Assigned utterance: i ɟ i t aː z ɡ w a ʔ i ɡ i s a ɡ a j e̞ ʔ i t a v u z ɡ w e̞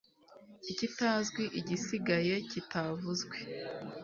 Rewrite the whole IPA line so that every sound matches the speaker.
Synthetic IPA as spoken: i c i t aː z ɡ w i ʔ i ɟ i s i ɡ a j e̞ c i t a v u z ɡ w e̞